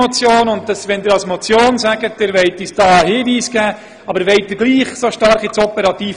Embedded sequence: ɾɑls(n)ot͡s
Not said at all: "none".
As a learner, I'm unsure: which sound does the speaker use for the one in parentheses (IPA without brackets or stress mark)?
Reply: m